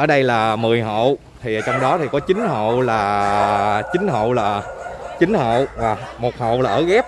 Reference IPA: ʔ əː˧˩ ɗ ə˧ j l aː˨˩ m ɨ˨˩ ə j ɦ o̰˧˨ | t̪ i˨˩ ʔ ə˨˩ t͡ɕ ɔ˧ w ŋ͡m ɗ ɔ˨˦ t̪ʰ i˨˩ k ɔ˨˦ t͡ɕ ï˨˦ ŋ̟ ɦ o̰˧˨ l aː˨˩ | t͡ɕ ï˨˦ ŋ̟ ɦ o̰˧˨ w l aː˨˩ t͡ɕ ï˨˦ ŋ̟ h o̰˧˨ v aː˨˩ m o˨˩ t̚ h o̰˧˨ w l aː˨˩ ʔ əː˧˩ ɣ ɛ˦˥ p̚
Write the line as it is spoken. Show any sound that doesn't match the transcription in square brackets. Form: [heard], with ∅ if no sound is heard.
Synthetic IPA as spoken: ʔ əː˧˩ ɗ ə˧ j l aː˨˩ m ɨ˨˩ ə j ɦ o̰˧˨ | [t̪ʰ] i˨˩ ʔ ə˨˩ t͡ɕ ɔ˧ w ŋ͡m ɗ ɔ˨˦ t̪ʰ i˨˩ k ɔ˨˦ t͡ɕ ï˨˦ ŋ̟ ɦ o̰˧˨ l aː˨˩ | t͡ɕ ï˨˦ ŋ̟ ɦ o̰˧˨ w l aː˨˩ t͡ɕ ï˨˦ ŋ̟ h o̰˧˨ v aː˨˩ m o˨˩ t̚ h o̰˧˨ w l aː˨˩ ʔ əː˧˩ ɣ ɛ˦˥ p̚